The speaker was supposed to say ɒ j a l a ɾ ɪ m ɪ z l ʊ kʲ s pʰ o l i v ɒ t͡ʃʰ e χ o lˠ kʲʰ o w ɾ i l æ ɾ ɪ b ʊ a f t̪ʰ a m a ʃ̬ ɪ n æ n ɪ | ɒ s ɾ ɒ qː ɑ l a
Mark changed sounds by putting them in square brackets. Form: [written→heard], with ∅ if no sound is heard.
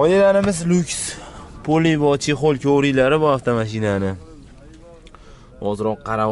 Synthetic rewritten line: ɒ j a l a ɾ ɪ m ɪ z l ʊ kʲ s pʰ o l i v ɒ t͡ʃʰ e χ o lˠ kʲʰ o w ɾ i l [æ→a] ɾ ɪ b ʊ a f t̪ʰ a m a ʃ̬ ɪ n [æ→a] n ɪ | ɒ [s→z] ɾ ɒ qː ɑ [l→ɾ] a